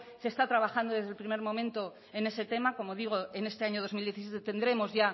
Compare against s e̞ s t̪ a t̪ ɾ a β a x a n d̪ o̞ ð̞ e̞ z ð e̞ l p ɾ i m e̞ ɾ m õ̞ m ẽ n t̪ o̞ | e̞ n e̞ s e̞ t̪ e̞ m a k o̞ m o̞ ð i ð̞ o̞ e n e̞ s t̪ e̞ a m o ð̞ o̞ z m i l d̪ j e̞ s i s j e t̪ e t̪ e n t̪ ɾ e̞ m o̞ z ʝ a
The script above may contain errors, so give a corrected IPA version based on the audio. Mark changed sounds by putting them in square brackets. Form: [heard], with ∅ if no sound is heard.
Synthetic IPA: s e̞ s t̪ a t̪ ɾ a β a x a n d̪ o̞ ð̞ e̞ z ð e̞ l p ɾ i m e̞ ɾ m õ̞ m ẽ n t̪ o̞ | e̞ n e̞ s e̞ t̪ e̞ m a k o̞ m o̞ ð i [ɣ̞] o̞ e n e̞ s t̪ e̞ a [ɲ] o ð̞ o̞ z m i l d̪ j e̞ [θ] i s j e t̪ e t̪ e n [d̪] ɾ e̞ m o̞ z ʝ a